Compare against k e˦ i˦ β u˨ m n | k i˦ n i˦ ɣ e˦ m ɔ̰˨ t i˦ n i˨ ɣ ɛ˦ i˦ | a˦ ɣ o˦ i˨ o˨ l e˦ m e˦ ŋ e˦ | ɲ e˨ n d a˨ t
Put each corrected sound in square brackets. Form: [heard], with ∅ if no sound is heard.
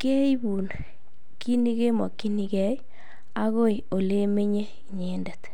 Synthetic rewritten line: k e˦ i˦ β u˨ [∅] n | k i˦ n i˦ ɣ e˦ m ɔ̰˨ [k] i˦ n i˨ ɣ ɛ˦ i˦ | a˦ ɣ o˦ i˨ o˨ l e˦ m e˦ [ɲ] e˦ | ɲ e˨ n d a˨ t